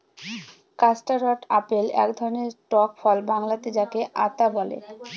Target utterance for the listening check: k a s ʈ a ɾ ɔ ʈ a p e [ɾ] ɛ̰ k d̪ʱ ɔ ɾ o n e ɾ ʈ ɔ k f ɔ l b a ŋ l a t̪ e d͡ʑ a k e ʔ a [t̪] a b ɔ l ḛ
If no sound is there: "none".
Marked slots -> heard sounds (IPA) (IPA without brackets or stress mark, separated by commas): l, t̪